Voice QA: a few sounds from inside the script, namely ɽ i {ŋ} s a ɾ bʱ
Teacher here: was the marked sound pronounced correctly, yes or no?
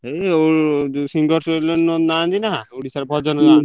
no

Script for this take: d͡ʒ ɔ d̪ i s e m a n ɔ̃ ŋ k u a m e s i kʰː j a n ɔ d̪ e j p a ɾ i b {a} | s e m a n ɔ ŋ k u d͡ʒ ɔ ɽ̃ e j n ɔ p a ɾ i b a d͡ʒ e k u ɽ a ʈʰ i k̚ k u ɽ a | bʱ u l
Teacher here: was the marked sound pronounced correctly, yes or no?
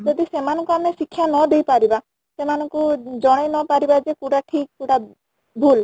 yes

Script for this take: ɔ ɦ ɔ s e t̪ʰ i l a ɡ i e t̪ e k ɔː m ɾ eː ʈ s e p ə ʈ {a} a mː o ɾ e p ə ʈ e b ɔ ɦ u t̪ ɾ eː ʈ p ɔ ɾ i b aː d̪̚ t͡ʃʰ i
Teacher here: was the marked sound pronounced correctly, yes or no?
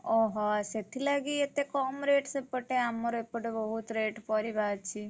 no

